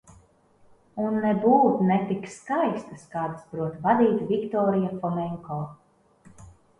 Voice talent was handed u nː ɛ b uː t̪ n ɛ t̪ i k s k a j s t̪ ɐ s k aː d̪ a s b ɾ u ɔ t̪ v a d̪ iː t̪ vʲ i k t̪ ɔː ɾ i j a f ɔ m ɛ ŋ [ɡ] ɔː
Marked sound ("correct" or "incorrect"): incorrect